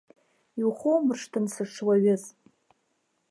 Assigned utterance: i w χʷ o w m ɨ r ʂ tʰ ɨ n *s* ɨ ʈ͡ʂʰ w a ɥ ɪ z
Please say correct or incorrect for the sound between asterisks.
correct